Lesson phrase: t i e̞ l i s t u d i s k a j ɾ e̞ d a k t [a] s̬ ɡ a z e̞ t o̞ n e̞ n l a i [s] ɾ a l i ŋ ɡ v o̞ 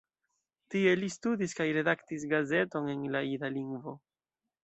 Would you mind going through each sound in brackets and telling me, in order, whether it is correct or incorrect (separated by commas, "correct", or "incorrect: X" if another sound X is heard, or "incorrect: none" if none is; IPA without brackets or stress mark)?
incorrect: i, incorrect: none